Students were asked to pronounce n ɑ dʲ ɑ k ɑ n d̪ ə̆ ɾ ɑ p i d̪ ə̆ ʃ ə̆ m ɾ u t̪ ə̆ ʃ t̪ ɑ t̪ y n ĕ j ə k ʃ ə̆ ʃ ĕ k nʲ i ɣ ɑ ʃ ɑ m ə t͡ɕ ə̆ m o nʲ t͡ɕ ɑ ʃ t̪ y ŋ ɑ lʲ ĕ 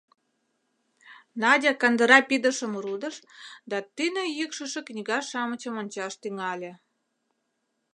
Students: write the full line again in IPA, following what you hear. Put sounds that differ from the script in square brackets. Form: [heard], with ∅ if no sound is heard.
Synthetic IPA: n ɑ dʲ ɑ k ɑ n d̪ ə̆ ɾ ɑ p i d̪ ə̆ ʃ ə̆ m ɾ u [d̪] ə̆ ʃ [d̪] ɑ t̪ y n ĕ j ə k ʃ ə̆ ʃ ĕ k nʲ i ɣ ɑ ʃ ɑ m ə t͡ɕ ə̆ m o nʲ t͡ɕ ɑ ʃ t̪ y ŋ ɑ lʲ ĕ